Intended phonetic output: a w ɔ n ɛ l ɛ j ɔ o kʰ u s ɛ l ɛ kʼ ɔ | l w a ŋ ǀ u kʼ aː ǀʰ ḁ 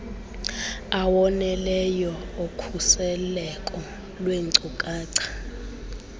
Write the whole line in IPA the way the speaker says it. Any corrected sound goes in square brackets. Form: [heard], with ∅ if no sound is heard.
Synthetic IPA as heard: a w ɔ n ɛ l ɛ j ɔ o kʰ u s ɛ l ɛ kʼ ɔ | l w [e] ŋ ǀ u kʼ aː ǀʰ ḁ